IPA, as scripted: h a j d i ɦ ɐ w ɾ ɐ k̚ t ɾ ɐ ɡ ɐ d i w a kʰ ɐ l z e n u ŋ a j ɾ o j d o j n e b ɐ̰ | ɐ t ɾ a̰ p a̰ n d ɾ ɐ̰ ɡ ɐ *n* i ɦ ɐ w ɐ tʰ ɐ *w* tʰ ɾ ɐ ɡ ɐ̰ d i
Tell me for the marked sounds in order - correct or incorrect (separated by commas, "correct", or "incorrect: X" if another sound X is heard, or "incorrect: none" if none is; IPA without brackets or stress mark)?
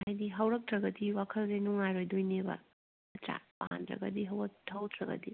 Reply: incorrect: d, correct